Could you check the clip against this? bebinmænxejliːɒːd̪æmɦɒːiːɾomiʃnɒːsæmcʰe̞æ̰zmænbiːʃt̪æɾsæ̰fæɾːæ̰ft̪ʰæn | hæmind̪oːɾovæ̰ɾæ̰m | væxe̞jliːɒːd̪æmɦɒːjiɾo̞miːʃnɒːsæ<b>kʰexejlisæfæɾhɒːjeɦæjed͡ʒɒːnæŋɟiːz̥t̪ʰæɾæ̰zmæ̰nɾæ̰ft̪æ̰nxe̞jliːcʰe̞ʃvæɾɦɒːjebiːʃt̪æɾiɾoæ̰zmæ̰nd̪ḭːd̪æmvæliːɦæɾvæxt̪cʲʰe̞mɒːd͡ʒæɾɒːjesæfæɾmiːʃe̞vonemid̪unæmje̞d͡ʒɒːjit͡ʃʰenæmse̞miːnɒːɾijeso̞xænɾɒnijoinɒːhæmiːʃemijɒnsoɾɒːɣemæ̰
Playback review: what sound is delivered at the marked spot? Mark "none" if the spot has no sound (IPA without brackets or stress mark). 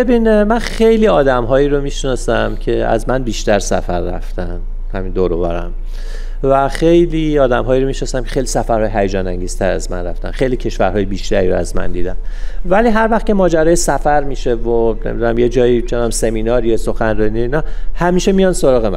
m